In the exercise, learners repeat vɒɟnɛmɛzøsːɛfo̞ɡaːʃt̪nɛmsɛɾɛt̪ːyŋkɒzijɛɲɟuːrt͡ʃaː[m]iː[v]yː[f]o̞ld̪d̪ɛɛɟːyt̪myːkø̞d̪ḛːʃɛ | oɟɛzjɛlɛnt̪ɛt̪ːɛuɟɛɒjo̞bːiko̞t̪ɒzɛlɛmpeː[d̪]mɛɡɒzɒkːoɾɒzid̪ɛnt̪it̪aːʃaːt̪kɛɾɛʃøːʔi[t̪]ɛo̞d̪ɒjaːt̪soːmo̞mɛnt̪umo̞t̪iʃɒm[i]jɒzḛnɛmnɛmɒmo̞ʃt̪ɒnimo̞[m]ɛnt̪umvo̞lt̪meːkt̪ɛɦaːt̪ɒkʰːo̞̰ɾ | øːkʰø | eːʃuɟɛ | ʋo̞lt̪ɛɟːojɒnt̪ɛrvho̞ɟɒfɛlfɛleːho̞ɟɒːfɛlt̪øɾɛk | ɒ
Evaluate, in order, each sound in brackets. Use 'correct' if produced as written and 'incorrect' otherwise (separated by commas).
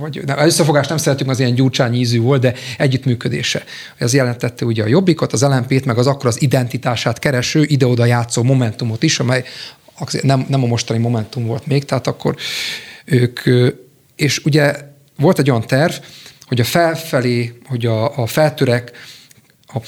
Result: incorrect, incorrect, incorrect, incorrect, incorrect, incorrect, correct